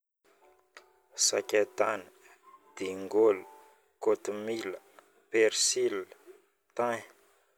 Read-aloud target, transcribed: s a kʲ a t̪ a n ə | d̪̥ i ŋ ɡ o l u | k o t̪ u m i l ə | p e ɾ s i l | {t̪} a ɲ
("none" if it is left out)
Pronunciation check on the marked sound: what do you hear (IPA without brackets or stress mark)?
t̪